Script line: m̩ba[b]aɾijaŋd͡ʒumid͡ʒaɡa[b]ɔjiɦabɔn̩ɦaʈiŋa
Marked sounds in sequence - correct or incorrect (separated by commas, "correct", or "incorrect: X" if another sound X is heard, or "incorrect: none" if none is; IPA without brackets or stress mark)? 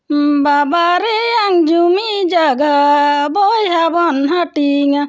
correct, correct